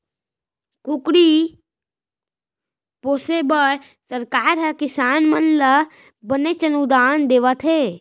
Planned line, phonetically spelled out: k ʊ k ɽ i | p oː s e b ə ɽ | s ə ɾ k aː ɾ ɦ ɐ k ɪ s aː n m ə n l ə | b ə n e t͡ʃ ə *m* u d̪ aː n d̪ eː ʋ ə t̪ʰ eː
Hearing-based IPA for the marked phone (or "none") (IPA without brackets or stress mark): n